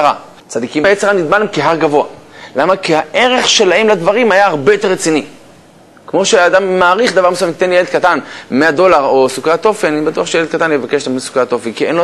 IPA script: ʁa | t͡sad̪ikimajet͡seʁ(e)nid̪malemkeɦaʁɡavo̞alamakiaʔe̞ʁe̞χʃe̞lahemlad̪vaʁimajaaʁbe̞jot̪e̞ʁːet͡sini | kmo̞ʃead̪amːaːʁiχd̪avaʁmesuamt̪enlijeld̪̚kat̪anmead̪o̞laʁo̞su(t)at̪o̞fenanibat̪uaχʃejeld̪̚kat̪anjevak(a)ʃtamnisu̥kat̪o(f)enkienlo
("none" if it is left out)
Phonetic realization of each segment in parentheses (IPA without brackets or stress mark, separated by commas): a, k, e, f